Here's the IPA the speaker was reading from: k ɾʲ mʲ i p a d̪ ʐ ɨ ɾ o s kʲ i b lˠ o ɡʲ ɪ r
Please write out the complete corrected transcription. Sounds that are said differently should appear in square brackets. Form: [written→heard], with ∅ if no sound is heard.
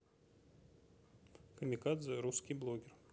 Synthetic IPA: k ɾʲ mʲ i [p→k] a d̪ [ʐ→z] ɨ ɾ [o→u] s kʲ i b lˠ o ɡʲ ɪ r